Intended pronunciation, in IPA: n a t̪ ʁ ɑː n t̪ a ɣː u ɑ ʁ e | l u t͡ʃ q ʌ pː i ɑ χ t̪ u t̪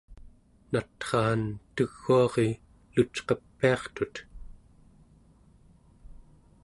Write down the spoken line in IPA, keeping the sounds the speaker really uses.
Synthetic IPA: n a t̪ χ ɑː n t̪ ə ɣː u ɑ ʁ e | l u t͡ʃ q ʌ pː i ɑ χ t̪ u t̪

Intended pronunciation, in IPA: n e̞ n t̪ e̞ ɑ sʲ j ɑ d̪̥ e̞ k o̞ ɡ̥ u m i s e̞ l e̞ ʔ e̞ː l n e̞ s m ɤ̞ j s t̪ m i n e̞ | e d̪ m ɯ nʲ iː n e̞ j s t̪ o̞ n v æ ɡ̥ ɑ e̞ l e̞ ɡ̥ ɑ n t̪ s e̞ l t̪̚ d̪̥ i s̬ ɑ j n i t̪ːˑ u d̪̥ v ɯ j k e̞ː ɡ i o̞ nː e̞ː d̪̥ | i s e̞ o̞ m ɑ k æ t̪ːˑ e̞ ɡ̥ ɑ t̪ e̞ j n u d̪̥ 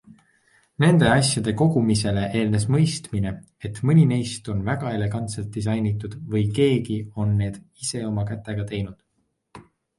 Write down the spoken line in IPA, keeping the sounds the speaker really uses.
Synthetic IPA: n e̞ n d̪ e̞ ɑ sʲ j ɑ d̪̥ e̞ k o̞ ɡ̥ u m i s e̞ l e̞ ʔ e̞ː l n e̞ s m ɤ̞ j s t̪ m i n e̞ | e t̪ m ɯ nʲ i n e̞ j s t̪ o̞ n v æ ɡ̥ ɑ e̞ l e̞ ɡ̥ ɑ n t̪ s e̞ l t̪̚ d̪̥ i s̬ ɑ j n i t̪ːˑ u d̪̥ v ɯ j k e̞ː ɡ i o̞ nː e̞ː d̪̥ | i s e̞ o̞ m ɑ k æ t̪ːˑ e̞ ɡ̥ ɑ t̪ e̞ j n u d̪̥

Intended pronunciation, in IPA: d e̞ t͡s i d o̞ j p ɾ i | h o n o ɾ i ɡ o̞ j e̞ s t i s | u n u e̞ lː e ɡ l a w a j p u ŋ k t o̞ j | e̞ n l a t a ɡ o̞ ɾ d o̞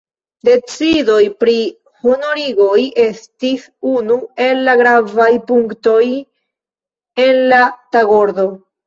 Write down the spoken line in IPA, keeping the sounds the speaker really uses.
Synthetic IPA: d e̞ t͡s i d o̞ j p ɾ i | h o n o ɾ i ɡ o̞ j e̞ s t i s | u n u e̞ lː a ɡ ɾ a v a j p u ŋ k t o̞ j | e̞ n l a t a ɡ o̞ ɾ d o̞

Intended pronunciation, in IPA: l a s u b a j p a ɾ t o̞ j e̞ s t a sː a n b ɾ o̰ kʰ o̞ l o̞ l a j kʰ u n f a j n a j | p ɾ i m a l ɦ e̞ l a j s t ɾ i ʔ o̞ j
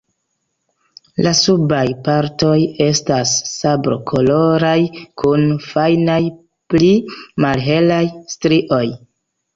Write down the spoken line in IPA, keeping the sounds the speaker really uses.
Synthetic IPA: l a s u b a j p a ɾ t o̞ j e̞ s t a sː a b ɾ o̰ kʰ o̞ l o̞ ɾ a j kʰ u n f a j n a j | p l i m a l ɦ e̞ l a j s t ɾ i ʔ o̞ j

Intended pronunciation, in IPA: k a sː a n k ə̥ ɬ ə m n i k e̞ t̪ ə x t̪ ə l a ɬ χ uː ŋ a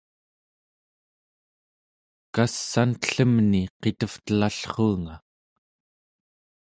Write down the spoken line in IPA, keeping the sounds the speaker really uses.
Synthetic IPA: k a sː a n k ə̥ ɬ ə m n i q e̞ t̪ ə f t̪ ə l a ɬ χ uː ŋ a

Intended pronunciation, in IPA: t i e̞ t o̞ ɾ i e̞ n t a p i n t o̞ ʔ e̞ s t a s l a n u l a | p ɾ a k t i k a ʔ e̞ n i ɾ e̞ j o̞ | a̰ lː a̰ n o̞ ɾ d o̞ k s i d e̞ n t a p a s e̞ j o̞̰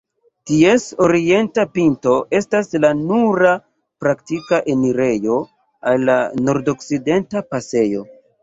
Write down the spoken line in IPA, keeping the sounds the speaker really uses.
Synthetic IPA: t i e̞ s o̞ ɾ i e̞ n t a p i n t o̞ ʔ e̞ s t a s l a n u ɾ a | p ɾ a k t i k a ʔ e̞ n i ɾ e̞ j o̞ | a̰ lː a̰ n o̞ ɾ d o̞ k s i d e̞ n t a p a s e̞ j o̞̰

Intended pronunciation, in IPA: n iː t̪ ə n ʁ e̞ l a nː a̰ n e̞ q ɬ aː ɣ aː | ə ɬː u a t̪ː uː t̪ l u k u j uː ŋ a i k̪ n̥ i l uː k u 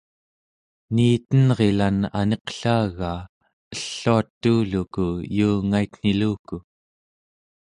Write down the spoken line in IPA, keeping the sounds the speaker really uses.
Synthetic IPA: n iː t̪ ə n ʁ e̞ l a n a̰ n e̞ q ɬ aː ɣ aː | ə ɬː u a t̪ː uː l u k u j uː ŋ a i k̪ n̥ i l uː k u

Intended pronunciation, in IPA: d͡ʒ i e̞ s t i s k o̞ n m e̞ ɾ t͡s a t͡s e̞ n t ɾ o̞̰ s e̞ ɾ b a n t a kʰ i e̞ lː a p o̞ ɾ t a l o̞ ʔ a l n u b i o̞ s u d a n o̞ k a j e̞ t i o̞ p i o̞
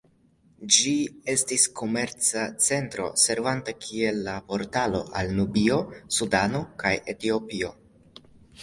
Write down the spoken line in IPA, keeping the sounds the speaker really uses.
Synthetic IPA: d͡ʒ i e̞ s t i s k o̞ m e̞ ɾ t͡s a t͡s e̞ n t ɾ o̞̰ s e̞ ɾ v a n t a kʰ i e̞ lː a p o̞ ɾ t a l o̞ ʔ a l n u b i o̞ s u d a n o̞ k a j e̞ t i o̞ p i o̞

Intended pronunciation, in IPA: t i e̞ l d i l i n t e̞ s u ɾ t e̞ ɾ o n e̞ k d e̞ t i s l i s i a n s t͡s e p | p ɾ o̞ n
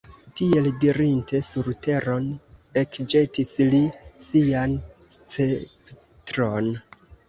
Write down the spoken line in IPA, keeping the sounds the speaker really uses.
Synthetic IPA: t i e̞ l d i ɾ i n t e̞ s u ɾ t e̞ ɾ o n e̞ k d͡ʒ e̞ t i s l i s i a n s t͡s e p | t ɾ o̞ n

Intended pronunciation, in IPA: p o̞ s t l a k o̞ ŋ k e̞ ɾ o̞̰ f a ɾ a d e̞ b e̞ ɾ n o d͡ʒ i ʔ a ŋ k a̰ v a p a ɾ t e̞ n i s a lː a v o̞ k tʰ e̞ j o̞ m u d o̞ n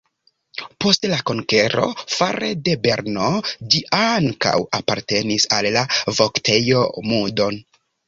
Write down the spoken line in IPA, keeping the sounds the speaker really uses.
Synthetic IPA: p o̞ s t l a k o̞ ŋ k e̞ ɾ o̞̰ f a ɾ e d e̞ b e̞ ɾ n o d͡ʒ i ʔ a ŋ k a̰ w a p a ɾ t e̞ n i s a lː a v o̞ k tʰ e̞ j o̞ m u d o̞ n

